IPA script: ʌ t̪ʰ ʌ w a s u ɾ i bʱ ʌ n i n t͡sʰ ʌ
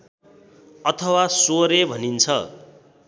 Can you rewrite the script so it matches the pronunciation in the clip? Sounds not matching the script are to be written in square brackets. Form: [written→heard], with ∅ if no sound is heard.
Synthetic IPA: ʌ t̪ʰ ʌ w a s [u→o] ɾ [i→e] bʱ ʌ n i n t͡sʰ ʌ